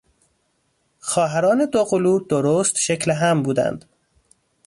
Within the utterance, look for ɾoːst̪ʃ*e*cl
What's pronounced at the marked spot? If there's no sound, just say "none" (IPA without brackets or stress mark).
e